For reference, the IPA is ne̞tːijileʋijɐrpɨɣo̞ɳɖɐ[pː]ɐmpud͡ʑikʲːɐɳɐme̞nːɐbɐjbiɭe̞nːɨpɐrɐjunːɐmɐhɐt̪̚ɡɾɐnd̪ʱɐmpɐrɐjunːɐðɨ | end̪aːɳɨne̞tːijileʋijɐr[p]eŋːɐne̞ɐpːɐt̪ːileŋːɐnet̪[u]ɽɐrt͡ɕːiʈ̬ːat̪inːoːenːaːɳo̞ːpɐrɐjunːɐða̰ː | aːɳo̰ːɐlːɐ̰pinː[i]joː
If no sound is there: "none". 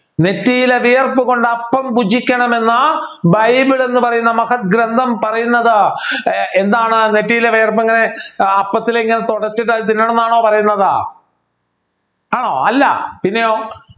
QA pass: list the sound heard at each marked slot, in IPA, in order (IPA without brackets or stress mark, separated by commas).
pː, p, o, e